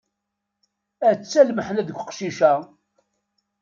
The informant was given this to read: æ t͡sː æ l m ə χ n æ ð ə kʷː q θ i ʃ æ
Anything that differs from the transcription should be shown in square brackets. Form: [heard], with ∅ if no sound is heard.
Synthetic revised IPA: æ t͡sː æ l m ə [ħ] n æ ð ə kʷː q [ʃ] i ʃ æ